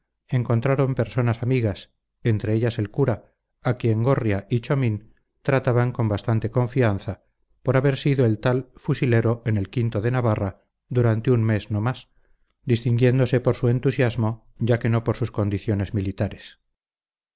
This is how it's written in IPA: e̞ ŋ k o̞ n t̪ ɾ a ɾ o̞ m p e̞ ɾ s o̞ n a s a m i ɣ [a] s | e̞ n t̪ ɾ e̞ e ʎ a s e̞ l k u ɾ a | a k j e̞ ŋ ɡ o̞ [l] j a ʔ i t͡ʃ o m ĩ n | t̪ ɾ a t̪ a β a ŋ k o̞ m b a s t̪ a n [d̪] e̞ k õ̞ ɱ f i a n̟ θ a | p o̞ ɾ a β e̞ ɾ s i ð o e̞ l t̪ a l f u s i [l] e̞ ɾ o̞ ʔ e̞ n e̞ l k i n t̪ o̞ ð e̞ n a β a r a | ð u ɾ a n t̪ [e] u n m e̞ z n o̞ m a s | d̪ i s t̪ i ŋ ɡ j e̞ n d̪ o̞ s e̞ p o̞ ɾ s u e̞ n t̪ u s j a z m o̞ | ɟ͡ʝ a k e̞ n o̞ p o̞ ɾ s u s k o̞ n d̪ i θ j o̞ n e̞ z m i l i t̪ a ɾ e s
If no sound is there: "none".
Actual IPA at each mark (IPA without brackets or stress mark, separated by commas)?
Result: a, r, t̪, l, e